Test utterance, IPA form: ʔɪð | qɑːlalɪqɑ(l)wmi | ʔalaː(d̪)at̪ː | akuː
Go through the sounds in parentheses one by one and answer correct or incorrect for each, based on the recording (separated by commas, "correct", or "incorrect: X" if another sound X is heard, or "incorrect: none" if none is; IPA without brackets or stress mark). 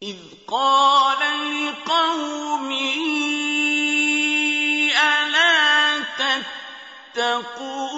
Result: incorrect: none, incorrect: t̪